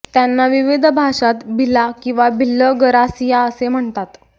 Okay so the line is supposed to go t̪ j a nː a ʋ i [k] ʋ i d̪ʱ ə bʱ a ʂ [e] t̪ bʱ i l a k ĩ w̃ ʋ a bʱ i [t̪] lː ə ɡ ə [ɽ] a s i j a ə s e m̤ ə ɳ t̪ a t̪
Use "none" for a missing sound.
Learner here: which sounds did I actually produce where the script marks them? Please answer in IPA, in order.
none, a, none, ɾ

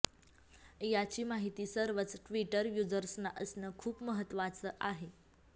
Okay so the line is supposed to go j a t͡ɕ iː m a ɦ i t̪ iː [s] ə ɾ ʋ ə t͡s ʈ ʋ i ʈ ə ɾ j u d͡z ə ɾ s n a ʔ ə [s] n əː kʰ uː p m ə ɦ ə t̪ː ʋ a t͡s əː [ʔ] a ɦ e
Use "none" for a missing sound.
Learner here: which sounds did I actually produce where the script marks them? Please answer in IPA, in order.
s, s, ʔ

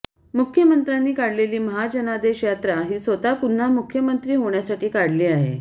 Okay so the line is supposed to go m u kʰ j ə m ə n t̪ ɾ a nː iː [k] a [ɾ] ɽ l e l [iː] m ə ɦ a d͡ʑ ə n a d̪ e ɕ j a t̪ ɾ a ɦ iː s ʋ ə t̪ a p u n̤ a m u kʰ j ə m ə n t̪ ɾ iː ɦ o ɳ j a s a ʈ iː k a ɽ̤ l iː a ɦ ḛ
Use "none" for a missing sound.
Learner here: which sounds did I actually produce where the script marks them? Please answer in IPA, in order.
k, none, iː

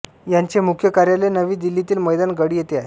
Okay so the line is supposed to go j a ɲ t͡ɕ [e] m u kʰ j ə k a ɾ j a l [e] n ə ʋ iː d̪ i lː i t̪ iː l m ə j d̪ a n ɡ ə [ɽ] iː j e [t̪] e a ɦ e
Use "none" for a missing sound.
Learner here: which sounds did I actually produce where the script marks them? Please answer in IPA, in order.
e, e, ɽ, t̪

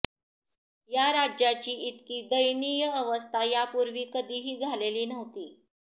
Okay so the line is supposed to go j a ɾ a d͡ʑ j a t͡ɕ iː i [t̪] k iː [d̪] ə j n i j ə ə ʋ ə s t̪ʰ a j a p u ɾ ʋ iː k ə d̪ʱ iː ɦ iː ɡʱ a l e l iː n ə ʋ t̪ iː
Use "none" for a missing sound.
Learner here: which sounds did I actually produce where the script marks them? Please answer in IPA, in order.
t̪, d̪

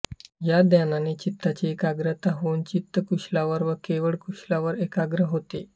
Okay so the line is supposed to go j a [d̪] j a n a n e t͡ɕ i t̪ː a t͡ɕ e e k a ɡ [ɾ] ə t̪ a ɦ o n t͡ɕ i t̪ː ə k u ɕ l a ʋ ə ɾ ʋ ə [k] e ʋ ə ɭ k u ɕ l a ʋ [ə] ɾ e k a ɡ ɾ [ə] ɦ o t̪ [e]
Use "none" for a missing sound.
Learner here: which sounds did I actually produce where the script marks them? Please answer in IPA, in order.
d̪, ɾ, k, ə, ə, e

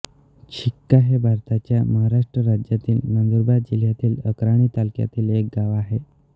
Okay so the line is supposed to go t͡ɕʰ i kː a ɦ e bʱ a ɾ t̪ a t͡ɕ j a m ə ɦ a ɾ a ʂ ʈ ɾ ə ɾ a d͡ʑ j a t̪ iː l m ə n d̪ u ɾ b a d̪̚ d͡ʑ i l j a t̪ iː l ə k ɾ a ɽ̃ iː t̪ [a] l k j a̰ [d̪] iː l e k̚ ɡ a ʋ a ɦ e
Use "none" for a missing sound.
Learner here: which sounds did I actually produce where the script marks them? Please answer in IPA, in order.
a, t̪

